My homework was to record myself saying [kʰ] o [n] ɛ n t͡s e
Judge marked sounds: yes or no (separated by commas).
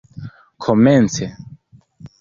yes, no